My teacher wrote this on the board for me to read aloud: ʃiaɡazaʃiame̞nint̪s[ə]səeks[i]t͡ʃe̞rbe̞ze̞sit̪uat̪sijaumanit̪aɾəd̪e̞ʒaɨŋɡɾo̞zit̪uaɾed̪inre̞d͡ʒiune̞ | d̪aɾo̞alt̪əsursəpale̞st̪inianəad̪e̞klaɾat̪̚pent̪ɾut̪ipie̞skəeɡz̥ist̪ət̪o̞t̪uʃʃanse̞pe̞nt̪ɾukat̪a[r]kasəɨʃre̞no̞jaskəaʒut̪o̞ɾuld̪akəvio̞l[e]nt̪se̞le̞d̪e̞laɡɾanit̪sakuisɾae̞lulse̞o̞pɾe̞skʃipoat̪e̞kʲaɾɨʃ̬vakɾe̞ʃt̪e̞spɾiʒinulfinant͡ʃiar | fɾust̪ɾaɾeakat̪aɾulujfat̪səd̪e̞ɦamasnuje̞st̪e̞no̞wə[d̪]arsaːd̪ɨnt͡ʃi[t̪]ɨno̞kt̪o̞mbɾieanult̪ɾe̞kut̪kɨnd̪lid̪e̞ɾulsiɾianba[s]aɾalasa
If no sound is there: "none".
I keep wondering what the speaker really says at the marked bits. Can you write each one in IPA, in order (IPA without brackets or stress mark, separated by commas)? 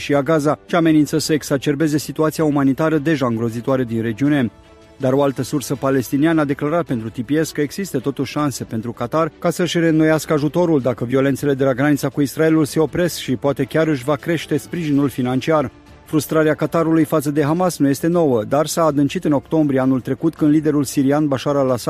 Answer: ə, a, r, e, d̪, t̪, ʃ